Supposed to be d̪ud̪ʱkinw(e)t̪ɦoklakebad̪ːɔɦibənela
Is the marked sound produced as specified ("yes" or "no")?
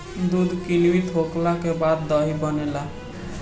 no